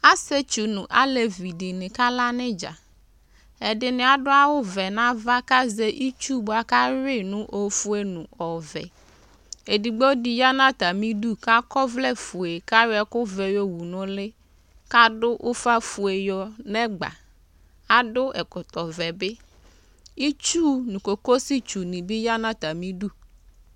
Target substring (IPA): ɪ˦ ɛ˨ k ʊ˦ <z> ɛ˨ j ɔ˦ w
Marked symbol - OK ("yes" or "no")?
no